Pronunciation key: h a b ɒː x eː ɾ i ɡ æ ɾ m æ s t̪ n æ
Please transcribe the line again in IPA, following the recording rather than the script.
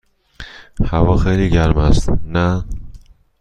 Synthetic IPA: h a v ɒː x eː l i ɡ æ ɾ m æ s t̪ n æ